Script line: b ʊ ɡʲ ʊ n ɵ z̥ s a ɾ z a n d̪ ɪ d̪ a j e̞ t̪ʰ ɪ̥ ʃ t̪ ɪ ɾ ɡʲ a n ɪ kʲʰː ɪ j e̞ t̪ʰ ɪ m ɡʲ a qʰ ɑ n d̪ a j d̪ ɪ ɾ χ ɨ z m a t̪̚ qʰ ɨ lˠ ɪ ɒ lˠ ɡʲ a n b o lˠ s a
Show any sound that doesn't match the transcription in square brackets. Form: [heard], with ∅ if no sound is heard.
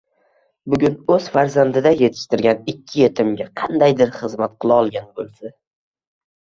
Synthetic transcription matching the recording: b ʊ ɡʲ ʊ n ɵ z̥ [f] a ɾ z a n d̪ ɪ d̪ a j e̞ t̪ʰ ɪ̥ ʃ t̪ ɪ ɾ ɡʲ a n ɪ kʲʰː ɪ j e̞ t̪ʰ ɪ m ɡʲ a qʰ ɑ n d̪ a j d̪ ɪ ɾ χ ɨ z m a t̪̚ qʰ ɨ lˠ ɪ ɒ lˠ ɡʲ a n b o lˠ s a